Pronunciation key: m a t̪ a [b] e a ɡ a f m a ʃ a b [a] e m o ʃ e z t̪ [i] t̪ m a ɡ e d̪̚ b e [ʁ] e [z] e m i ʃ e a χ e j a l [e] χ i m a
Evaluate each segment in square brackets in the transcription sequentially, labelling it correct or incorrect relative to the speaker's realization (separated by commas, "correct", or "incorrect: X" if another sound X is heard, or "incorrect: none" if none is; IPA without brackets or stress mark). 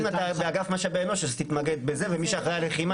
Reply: correct, incorrect: e, correct, incorrect: z, incorrect: v, correct